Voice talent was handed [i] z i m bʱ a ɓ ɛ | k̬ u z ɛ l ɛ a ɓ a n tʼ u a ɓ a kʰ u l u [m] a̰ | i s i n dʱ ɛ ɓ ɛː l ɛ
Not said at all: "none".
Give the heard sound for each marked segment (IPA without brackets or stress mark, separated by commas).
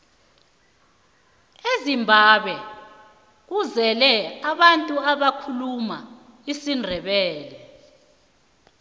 e, m